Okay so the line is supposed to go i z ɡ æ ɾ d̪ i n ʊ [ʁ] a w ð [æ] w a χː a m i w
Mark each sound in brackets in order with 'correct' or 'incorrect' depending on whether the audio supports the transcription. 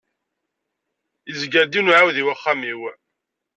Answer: incorrect, incorrect

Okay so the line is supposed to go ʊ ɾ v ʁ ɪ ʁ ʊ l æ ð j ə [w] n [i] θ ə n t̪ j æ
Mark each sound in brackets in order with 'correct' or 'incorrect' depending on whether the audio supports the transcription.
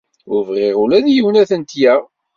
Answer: correct, incorrect

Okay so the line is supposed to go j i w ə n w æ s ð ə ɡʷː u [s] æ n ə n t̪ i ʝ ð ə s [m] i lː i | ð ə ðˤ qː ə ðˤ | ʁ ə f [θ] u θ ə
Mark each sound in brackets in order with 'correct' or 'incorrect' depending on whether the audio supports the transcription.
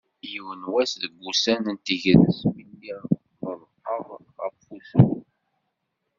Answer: correct, correct, incorrect

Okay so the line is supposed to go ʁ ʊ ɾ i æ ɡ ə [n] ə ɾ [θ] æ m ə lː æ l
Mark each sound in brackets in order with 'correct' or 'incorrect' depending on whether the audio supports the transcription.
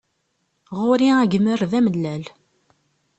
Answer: incorrect, incorrect

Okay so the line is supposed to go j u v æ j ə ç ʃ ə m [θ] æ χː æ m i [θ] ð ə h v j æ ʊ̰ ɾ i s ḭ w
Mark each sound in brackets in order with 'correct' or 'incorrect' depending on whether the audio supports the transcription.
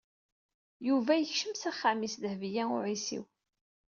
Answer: incorrect, incorrect

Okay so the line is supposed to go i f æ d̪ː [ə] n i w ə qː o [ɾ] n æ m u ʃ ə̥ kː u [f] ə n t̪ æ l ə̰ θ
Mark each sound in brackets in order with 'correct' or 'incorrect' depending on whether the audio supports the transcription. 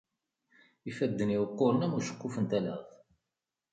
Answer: correct, correct, correct

